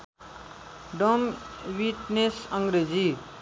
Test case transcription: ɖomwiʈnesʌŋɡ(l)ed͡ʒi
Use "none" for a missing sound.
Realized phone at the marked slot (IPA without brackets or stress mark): ɾ